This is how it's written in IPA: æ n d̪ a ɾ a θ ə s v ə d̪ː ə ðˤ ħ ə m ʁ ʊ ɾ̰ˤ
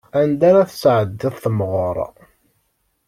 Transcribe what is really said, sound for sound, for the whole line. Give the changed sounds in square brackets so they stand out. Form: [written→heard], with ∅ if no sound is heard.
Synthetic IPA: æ n d̪ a ɾ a θ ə s [v→ʕ] ə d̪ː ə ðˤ [ħ→θ] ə m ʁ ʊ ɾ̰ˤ